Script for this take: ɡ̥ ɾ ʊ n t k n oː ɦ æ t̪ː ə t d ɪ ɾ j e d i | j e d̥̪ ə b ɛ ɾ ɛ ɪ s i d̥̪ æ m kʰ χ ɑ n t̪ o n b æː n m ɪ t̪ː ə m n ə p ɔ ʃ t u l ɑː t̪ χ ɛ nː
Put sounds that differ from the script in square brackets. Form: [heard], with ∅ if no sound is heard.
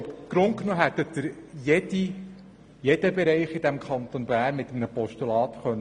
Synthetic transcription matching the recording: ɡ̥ ɾ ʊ n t k n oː ɦ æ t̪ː ə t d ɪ ɾ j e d i | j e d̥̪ ə b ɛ ɾ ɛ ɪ [χ] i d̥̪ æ m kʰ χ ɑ n t̪ o n b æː n m ɪ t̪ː ə m n ə p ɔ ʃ t u l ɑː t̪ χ [œ] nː